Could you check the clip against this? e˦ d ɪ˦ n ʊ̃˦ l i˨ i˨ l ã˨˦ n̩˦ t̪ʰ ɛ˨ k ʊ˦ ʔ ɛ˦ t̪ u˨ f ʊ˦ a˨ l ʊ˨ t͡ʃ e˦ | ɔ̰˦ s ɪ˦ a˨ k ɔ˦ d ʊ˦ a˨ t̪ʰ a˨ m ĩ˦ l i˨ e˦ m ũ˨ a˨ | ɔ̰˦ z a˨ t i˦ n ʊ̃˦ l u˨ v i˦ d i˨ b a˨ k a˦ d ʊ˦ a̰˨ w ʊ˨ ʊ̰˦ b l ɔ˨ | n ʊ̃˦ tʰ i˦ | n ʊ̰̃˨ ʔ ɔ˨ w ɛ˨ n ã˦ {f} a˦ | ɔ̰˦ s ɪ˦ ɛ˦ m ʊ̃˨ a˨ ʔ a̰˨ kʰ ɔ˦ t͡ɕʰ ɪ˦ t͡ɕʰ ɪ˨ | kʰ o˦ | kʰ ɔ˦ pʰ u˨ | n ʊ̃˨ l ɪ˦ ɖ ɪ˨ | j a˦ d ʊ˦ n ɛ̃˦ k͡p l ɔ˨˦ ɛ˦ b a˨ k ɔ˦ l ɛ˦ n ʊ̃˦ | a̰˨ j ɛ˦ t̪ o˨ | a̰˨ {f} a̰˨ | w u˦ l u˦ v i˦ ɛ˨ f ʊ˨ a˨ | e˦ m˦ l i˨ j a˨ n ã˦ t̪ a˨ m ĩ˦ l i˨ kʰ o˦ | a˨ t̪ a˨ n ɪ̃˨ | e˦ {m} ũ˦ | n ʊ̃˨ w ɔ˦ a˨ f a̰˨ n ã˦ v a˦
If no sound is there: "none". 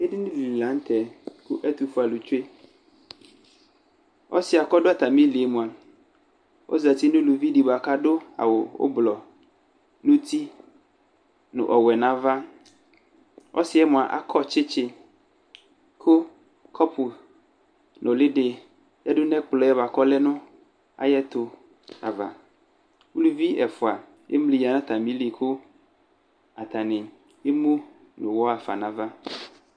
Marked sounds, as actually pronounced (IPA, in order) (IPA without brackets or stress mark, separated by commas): v, v, m